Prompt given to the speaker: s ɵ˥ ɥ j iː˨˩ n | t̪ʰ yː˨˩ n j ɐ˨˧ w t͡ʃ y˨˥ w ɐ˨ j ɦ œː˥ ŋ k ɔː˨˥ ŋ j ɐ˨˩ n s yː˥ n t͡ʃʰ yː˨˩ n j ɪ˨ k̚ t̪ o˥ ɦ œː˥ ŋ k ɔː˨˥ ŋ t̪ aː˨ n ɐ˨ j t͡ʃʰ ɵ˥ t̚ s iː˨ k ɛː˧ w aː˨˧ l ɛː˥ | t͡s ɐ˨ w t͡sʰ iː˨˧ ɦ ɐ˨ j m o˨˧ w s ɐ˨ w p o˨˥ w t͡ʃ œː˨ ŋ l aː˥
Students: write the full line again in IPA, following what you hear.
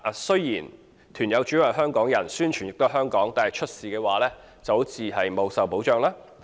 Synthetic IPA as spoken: s ɵ˥ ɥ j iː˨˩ n | t̪ʰ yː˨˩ n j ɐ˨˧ w t͡ʃ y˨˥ w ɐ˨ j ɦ œː˥ ŋ k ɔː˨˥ ŋ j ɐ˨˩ n s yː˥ n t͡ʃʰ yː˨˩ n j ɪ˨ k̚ t̪ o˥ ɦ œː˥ ŋ k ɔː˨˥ ŋ t̪ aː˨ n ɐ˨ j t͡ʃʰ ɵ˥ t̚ s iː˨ k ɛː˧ w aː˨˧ l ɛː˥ | t͡s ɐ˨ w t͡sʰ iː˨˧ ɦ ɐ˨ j m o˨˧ w s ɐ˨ w p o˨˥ w t͡ʃ œː˨ ŋ l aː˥